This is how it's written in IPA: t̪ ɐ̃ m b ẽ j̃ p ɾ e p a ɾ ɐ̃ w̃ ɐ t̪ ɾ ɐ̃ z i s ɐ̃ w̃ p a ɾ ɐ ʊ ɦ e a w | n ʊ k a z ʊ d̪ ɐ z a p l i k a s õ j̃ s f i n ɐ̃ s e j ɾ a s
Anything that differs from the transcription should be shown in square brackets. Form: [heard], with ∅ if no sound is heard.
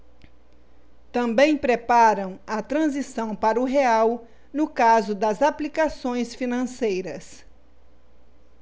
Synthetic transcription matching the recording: t̪ ɐ̃ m b ẽ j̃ p ɾ e p a ɾ ɐ̃ w̃ ɐ t̪ ɾ ɐ̃ z i s ɐ̃ w̃ p a ɾ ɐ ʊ ɦ e a w | n ʊ k a z ʊ d̪ ɐ z a p l i k a s õ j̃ s f i n ɐ̃ s e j ɾ [ɐ] s